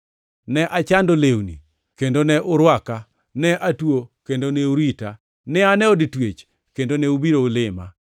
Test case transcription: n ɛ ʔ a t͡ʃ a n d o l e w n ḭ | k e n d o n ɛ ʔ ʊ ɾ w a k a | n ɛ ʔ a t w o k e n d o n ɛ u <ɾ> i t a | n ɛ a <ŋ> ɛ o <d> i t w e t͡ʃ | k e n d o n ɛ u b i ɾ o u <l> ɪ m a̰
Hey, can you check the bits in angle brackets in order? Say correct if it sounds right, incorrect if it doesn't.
correct, incorrect, correct, correct

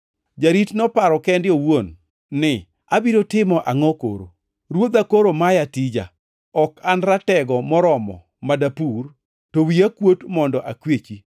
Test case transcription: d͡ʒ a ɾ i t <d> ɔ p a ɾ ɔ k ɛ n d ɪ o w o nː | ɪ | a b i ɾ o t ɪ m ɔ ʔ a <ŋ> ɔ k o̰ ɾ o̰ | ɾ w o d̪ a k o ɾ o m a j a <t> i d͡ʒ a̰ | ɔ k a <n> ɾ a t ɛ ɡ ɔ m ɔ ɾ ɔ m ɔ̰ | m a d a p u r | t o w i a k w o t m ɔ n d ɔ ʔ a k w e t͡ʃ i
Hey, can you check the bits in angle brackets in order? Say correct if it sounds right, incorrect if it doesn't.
incorrect, correct, correct, correct

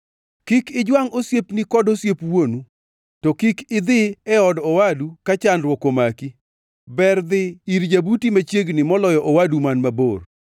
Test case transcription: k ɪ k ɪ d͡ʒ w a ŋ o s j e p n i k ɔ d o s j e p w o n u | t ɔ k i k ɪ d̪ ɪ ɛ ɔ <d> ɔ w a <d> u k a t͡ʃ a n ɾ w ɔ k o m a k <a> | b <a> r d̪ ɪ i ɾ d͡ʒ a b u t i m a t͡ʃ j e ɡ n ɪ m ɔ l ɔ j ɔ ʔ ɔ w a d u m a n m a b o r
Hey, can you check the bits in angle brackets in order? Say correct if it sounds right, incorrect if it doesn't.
correct, correct, incorrect, incorrect

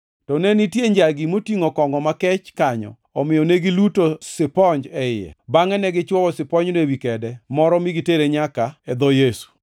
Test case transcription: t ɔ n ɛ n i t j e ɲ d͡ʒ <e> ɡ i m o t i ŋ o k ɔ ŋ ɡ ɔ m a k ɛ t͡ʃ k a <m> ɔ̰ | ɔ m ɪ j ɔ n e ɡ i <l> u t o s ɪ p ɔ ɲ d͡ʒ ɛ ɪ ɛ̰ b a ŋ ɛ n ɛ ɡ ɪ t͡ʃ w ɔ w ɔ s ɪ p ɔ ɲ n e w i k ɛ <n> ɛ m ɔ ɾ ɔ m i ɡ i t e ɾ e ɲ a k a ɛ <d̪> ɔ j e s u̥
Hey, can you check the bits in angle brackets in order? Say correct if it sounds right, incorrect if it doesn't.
incorrect, incorrect, correct, incorrect, correct

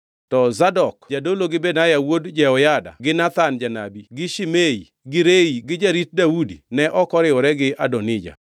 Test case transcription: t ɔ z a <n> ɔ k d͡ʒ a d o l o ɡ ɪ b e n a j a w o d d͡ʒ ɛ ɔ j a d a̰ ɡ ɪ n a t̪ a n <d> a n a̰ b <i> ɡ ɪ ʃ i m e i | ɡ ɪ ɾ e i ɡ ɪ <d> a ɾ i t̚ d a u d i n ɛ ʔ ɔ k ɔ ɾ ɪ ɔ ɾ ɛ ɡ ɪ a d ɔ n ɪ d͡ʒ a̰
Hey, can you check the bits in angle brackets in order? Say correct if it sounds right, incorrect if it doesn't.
incorrect, incorrect, correct, incorrect

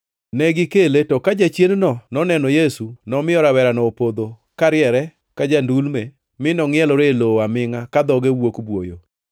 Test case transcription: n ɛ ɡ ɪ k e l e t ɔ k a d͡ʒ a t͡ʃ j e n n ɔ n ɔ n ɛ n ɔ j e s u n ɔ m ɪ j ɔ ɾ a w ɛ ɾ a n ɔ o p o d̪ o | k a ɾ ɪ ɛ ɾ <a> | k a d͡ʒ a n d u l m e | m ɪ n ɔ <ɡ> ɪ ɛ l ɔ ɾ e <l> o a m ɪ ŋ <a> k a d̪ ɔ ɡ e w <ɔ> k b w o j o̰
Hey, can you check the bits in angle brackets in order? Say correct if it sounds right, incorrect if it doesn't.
incorrect, incorrect, correct, correct, incorrect

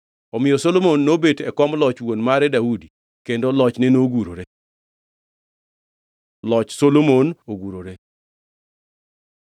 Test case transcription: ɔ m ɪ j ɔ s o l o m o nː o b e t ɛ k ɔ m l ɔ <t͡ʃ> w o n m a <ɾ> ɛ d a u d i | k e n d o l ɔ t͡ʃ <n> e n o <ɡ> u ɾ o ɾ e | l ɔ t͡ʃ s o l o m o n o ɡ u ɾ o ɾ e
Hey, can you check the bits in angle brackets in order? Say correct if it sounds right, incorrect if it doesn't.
correct, correct, correct, correct

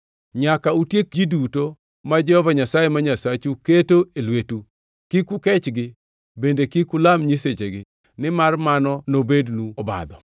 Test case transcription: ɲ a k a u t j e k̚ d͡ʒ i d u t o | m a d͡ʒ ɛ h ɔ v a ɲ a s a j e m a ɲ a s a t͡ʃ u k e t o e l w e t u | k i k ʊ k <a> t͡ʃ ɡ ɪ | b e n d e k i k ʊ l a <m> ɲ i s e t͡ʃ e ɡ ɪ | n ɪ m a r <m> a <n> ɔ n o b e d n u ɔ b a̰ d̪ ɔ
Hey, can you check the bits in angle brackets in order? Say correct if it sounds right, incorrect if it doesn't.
incorrect, correct, correct, correct

